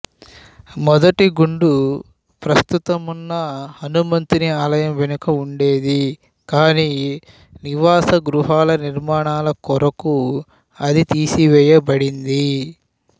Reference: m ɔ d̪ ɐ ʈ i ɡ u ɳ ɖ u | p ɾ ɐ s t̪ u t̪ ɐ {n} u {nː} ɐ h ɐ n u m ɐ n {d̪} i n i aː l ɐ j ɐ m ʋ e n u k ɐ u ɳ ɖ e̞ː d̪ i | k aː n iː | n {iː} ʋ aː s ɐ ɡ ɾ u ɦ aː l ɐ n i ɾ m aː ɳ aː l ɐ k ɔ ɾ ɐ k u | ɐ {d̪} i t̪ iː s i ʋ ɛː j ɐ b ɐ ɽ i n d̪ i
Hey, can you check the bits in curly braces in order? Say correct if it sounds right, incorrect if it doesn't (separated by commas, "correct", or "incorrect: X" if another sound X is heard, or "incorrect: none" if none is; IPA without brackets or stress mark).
incorrect: m, correct, incorrect: t̪, incorrect: i, correct